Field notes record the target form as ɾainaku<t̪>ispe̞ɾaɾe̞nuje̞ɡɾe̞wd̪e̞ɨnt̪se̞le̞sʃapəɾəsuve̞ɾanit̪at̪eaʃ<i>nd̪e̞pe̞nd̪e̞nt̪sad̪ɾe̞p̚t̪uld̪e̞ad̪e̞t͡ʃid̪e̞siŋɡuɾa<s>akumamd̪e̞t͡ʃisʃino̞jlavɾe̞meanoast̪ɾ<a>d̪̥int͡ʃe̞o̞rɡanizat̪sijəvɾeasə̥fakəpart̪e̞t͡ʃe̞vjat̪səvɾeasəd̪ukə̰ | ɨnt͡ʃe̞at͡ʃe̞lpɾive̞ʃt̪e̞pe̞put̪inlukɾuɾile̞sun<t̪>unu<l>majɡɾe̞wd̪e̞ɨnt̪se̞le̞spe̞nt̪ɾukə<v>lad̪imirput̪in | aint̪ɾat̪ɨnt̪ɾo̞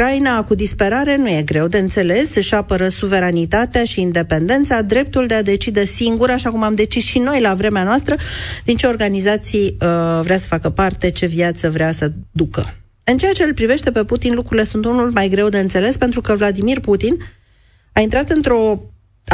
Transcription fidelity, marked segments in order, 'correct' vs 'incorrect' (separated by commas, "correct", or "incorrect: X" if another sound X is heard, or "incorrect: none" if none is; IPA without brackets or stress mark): incorrect: d̪, incorrect: iː, incorrect: ʃ, incorrect: ə, correct, correct, correct